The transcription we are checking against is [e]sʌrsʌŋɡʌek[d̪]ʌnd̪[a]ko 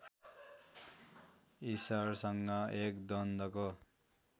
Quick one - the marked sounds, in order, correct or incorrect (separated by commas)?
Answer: incorrect, correct, incorrect